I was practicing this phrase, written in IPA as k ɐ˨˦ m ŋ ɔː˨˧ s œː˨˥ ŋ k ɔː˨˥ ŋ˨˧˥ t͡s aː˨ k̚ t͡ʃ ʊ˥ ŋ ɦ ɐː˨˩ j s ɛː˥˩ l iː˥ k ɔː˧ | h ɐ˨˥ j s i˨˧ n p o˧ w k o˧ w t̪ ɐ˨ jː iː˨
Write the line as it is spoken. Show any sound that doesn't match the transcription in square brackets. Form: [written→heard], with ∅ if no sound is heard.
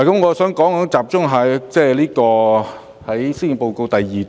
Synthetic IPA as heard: k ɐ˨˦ m ŋ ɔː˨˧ s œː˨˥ ŋ k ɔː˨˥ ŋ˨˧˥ t͡s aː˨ [k̚→p̚] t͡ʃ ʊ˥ ŋ ɦ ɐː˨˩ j [s→t͡s] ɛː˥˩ l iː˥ k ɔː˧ | h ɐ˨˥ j s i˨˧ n p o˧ w k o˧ w t̪ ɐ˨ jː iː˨